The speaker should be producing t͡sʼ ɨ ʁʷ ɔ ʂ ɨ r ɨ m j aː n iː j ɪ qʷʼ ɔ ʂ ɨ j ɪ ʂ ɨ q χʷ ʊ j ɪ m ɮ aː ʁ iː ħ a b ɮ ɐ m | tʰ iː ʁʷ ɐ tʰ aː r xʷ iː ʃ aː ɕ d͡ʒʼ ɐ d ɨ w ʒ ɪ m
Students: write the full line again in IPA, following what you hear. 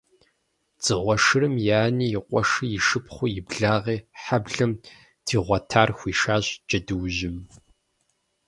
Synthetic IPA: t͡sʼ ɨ ʁʷ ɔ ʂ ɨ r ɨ m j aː n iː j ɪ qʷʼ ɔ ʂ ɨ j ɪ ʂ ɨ p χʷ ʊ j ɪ b ɮ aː ʁ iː ħ a b ɮ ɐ m | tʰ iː ʁʷ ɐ tʰ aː r xʷ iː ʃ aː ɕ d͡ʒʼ ɐ d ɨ w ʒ ɪ m

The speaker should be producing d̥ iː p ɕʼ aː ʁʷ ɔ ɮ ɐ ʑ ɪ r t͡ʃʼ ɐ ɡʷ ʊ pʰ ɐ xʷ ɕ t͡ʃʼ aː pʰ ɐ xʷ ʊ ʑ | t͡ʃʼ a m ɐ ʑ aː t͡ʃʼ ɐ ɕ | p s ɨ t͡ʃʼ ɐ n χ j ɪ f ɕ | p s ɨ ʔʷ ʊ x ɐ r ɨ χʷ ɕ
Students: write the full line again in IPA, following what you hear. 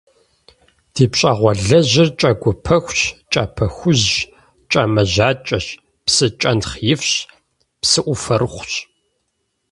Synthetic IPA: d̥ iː p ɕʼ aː ʁʷ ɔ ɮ ɐ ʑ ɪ r t͡ʃʼ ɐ ɡʷ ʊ pʰ ɐ xʷ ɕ t͡ʃʼ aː pʰ ɐ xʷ ʊ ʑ | t͡ʃʼ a m ɐ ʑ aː t͡ʃʼ ɐ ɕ | p s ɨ t͡ʃʼ ɐ n χ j ɪ f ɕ | p s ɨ ʔʷ ʊ f ɐ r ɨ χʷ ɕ

